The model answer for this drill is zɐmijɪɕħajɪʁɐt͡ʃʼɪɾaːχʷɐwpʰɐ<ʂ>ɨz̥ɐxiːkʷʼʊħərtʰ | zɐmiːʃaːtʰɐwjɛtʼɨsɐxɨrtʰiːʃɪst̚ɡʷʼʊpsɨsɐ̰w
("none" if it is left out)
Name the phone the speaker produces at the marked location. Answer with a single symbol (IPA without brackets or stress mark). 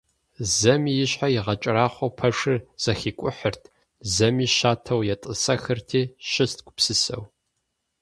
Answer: ʂ